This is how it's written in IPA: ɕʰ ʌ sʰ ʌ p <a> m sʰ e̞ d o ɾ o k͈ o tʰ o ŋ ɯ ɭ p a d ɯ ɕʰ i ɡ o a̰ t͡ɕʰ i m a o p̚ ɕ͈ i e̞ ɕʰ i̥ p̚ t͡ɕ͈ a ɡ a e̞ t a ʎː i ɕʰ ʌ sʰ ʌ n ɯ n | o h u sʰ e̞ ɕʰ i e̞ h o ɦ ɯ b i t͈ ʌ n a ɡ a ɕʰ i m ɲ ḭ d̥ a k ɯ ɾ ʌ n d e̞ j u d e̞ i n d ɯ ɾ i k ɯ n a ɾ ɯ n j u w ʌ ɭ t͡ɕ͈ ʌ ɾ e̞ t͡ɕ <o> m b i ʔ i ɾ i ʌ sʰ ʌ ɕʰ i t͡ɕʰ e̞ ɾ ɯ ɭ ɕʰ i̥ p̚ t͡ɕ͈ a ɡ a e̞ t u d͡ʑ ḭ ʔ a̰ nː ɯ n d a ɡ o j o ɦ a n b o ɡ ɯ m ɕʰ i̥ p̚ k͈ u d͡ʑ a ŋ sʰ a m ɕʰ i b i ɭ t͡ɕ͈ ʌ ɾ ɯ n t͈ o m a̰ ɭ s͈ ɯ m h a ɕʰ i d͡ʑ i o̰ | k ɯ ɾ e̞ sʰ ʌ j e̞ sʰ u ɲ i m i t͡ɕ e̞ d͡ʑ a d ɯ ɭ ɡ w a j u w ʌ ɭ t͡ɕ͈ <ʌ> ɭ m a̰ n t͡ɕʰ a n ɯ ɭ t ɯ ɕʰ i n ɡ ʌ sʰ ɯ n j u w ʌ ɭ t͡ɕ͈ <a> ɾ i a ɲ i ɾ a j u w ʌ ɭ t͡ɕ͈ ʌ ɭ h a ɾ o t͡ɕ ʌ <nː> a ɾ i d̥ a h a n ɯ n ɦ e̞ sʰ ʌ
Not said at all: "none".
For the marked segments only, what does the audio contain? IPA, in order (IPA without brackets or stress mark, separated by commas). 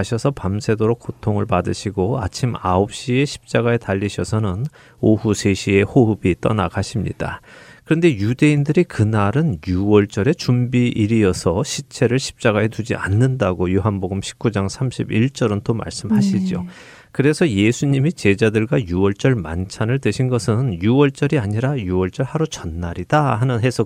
a, u, ʌ, ʌ, nː